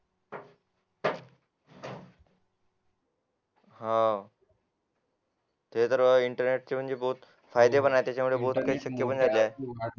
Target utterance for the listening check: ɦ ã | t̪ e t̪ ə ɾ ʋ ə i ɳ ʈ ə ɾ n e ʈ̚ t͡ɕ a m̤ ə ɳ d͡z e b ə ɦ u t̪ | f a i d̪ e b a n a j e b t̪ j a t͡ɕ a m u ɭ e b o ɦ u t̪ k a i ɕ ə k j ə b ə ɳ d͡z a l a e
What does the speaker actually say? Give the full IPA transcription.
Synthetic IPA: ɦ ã | t̪ e t̪ ə ɾ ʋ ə i ɳ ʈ ə ɾ n e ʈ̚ t͡ɕ e m̤ ə ɳ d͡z e b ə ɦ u t̪ | f a j d̪ e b ə n a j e t̪ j a t͡ɕ a m u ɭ e b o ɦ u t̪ k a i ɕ ə k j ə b ə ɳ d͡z a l a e